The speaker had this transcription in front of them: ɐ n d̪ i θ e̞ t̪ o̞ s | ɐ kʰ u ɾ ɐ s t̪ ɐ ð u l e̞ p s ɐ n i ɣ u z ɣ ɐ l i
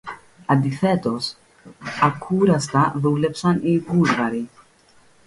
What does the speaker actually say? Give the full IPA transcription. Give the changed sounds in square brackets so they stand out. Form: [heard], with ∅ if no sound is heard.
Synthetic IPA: ɐ n d̪ i θ e̞ t̪ o̞ s | ɐ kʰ u ɾ ɐ s t̪ ɐ ð u l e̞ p s ɐ n i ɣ u z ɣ ɐ [ɾ] i